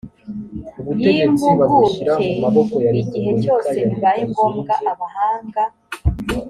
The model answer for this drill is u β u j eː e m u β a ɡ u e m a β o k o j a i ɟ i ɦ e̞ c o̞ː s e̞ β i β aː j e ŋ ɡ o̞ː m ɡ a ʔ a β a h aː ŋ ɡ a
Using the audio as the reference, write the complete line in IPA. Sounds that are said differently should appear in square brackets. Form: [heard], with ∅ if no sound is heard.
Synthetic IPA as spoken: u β u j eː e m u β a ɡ u e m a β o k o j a i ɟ i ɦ e̞ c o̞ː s e̞ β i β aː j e ŋ ɡ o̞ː m ɡ a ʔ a β a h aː ŋ ɡ a